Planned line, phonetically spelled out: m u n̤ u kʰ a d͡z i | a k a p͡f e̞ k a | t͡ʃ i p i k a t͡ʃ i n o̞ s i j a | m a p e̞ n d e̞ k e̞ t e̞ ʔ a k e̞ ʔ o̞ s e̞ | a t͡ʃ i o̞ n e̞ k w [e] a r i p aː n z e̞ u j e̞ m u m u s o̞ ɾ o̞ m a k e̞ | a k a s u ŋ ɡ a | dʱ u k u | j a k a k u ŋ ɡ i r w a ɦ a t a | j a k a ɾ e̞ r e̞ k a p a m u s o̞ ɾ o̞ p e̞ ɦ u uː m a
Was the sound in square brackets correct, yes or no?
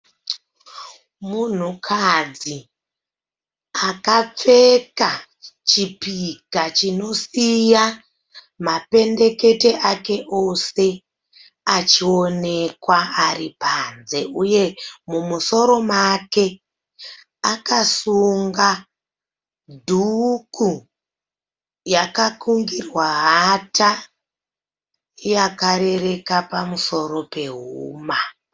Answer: no